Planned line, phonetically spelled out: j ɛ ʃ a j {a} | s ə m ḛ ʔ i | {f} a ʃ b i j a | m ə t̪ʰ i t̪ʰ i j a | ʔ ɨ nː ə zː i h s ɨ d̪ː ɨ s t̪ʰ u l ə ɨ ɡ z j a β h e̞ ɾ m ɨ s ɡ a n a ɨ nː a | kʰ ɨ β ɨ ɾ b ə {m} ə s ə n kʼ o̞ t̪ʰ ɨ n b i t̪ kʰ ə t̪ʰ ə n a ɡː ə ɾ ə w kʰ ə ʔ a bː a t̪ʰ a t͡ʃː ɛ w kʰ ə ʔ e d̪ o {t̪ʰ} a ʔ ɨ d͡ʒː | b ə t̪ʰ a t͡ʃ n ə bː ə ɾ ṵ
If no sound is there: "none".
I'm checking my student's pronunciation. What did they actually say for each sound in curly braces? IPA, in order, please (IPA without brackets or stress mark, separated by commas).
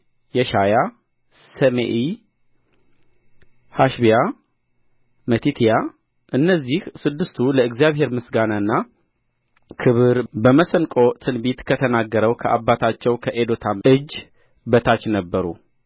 a, h, m, t̪ʰ